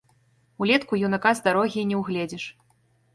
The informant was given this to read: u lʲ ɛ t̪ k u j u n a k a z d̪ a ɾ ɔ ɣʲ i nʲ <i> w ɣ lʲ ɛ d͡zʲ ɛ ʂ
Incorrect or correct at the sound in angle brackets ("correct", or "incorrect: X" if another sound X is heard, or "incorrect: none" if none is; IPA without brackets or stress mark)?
incorrect: ɛ